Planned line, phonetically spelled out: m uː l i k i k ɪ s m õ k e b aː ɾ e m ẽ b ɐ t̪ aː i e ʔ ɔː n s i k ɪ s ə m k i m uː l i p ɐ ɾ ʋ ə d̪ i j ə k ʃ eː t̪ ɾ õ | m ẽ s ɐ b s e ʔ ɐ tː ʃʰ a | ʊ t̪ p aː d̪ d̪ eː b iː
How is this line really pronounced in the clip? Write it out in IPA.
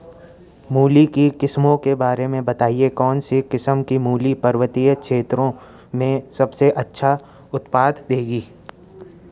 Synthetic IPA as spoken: m uː l i k i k ɪ s m õ k e b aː ɾ e m ẽ b ɐ t̪ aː i e k ɔː n s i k ɪ s ə m k i m uː l i p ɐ ɾ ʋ ə t̪ i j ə k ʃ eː t̪ ɾ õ | m ẽ s ɐ b s e ʔ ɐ tː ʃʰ a | ʊ t̪ p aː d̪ d̪ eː ɡ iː